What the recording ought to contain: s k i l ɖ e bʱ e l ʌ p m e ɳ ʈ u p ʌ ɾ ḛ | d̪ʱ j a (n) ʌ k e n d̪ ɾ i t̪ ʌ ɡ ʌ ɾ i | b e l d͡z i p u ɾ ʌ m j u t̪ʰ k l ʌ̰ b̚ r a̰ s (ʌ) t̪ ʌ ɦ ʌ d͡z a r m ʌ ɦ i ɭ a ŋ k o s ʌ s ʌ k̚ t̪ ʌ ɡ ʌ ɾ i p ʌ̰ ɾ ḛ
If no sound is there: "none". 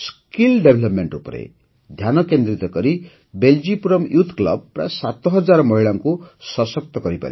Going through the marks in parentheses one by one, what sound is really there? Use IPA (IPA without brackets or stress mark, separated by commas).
n, a